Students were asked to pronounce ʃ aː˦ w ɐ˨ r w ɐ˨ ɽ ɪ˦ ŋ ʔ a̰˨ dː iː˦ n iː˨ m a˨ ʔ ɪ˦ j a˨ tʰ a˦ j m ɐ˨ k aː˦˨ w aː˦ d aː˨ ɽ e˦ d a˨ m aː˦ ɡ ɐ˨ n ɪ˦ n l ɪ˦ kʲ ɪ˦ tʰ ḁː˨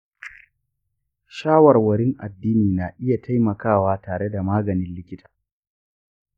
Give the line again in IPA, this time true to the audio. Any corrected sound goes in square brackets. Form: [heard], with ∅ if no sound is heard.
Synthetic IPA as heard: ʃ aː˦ w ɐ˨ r w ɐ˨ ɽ ɪ˦ ŋ ʔ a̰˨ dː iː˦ n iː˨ [n] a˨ ʔ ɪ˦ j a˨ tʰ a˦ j m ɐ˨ k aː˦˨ w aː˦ [t] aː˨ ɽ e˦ d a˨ m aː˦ ɡ ɐ˨ n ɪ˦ n l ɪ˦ kʲ ɪ˦ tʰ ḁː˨